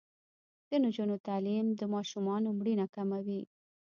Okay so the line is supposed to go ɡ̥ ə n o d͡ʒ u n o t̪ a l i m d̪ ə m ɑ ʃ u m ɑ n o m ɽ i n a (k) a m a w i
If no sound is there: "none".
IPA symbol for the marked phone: k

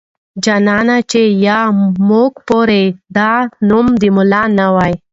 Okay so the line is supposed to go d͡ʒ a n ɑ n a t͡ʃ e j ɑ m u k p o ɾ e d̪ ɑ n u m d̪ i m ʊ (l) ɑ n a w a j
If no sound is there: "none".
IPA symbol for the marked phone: l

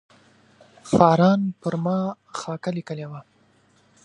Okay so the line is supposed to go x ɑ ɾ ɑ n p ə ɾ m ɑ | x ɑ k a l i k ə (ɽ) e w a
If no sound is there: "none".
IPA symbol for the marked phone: l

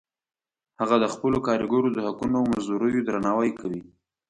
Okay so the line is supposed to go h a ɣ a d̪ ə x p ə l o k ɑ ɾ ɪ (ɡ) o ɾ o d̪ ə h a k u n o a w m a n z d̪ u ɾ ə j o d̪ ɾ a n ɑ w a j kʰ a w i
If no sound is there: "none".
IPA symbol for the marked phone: ɡ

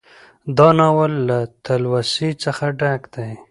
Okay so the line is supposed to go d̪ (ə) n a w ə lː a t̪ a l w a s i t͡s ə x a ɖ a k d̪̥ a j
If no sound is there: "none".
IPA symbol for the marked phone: ɑ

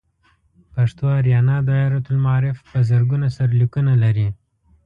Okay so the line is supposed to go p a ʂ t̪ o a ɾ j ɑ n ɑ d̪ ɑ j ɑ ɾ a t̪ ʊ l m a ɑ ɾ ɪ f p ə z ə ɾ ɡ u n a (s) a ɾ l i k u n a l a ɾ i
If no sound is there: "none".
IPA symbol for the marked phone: s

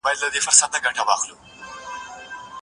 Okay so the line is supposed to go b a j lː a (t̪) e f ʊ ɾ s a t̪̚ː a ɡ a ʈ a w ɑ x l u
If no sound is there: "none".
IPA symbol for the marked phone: d̪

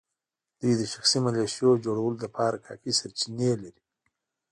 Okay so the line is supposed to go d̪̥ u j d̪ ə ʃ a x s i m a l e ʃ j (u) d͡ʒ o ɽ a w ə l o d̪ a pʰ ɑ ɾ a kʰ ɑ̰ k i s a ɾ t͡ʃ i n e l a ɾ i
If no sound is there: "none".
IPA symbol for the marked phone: o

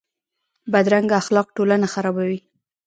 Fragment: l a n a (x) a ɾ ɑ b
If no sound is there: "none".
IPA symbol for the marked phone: x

